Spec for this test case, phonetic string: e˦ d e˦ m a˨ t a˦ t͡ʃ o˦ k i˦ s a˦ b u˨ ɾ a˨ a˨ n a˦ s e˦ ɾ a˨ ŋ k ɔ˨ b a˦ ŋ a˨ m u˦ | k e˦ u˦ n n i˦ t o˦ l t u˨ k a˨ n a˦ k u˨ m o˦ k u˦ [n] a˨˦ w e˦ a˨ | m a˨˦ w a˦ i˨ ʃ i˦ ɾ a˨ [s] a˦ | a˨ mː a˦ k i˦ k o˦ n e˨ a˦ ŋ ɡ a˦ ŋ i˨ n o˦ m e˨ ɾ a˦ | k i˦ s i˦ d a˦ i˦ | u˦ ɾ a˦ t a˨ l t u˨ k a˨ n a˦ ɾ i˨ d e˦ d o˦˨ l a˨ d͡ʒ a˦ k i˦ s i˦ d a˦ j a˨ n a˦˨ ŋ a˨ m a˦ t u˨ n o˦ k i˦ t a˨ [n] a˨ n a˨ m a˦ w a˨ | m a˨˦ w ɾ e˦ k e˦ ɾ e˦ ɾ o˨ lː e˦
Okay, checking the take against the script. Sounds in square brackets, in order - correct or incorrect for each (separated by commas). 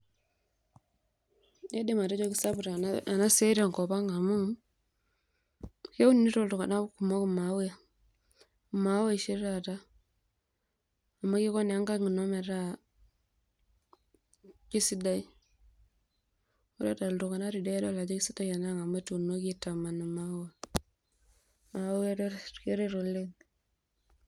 incorrect, incorrect, incorrect